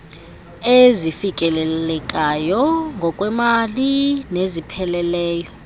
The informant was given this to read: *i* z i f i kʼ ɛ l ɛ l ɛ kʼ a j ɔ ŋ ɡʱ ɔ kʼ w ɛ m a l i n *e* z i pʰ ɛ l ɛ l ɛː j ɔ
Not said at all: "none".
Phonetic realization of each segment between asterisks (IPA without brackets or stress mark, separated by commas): e, e